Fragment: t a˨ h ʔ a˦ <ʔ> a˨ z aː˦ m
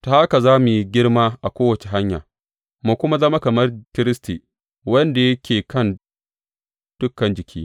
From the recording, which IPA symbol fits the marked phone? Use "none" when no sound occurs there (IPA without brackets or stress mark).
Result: k